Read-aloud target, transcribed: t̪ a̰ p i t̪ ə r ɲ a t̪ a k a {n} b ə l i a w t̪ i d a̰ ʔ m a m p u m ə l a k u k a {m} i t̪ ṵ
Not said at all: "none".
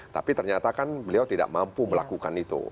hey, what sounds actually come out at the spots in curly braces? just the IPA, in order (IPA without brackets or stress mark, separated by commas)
n, n